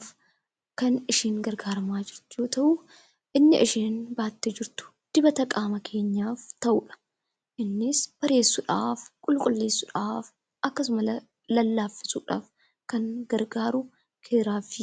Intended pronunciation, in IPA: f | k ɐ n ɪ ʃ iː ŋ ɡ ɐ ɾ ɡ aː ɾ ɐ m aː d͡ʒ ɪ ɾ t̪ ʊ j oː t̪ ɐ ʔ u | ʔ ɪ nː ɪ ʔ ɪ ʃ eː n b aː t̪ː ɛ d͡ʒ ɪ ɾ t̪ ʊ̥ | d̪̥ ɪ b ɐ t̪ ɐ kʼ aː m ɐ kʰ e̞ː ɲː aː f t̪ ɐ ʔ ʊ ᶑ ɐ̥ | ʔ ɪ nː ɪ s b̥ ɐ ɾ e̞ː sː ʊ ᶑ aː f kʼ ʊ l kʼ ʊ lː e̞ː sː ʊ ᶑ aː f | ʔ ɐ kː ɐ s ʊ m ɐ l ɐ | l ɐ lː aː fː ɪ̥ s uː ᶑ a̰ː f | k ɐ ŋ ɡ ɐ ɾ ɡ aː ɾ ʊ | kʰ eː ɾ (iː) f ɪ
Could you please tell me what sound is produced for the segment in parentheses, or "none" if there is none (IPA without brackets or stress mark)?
aː